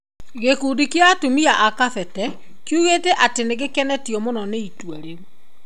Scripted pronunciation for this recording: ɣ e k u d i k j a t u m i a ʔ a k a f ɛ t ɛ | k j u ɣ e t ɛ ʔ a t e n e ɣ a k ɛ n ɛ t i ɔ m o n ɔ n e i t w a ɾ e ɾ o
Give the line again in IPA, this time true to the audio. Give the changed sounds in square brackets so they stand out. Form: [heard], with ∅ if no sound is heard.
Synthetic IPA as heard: ɣ e k u d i k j a t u m i a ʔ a k a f ɛ t ɛ | k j u ɣ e t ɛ ʔ a t e n e ɣ [e] k ɛ n ɛ t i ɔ m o n ɔ n e i t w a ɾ e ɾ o